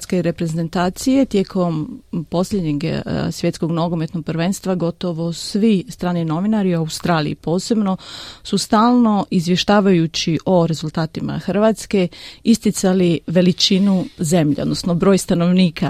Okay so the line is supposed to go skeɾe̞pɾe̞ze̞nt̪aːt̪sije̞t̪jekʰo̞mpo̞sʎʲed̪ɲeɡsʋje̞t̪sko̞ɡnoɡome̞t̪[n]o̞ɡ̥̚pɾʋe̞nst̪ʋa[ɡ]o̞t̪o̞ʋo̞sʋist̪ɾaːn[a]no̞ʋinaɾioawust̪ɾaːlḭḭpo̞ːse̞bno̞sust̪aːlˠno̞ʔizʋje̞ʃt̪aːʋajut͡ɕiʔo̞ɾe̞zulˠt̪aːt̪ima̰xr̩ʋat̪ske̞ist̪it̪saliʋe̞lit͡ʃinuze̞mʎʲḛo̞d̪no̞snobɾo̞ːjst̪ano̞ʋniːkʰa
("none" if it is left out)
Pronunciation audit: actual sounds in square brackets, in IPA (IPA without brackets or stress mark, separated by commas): n, ɡ, i